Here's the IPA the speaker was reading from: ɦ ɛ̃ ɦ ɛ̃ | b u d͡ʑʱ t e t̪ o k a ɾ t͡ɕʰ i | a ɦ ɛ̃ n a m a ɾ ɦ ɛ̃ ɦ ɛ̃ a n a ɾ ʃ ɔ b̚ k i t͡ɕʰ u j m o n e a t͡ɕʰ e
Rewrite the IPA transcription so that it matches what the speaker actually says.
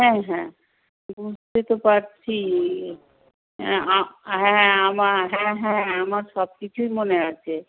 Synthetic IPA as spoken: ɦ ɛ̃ ɦ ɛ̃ | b u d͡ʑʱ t e t̪ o p a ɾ t͡ɕʰ i | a ɦ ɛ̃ a m a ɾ ɦ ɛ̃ ɦ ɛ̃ a m a ɾ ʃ ɔ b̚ k i t͡ɕʰ u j m o n e a t͡ɕʰ e